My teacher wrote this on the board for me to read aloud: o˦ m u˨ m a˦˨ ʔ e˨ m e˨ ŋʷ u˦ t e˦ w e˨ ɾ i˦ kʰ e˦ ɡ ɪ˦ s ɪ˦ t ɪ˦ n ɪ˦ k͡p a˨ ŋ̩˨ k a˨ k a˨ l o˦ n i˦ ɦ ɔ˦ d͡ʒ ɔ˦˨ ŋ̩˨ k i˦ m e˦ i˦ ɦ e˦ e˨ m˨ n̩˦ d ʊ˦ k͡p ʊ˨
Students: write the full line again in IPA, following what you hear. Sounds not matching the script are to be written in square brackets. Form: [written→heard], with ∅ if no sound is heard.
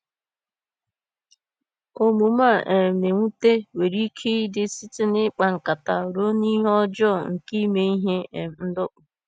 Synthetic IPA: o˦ m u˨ m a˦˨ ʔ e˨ m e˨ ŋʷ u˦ t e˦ w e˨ ɾ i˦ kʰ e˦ [ɡ→d] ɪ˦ s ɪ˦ t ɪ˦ n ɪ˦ k͡p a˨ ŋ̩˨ k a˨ [k→t] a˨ [l→ɾ] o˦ n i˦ ɦ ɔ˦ d͡ʒ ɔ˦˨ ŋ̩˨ k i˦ m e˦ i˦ ɦ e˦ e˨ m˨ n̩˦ d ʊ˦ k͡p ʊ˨